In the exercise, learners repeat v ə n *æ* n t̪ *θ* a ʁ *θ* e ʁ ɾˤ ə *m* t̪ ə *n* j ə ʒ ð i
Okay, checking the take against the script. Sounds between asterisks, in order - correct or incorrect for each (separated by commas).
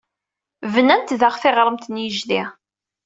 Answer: correct, incorrect, correct, correct, correct